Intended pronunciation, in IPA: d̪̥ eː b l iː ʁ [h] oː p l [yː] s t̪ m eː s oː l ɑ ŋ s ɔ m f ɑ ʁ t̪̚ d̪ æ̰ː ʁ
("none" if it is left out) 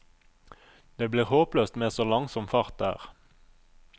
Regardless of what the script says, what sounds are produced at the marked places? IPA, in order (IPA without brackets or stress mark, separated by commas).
h, øː